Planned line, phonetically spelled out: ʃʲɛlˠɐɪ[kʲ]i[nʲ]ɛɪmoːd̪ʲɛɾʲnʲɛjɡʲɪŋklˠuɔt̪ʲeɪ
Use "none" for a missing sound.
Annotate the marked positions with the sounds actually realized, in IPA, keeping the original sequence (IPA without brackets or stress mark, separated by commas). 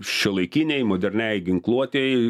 kʲ, nʲ